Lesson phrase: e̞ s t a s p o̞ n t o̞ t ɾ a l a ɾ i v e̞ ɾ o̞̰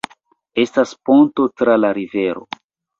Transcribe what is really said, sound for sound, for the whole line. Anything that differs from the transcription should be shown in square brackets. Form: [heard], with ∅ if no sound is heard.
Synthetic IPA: e̞ s t a s p o̞ n t o̞ t ɾ a l a ɾ i v e̞ ɾ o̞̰